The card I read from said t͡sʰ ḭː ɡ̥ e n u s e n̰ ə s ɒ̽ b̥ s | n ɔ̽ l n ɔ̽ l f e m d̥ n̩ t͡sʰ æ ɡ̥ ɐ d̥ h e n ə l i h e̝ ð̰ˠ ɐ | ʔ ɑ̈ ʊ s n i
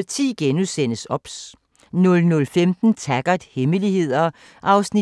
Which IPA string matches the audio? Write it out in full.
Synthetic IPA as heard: t͡sʰ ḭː ɡ̥ e n u s e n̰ ə s ɒ̽ b̥ s | n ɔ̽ l n ɔ̽ l f e m d̥ n̩ t͡sʰ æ ɡ̥ ɐ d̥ h e m ə l i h e̝ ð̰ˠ ɐ | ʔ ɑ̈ ʊ s n i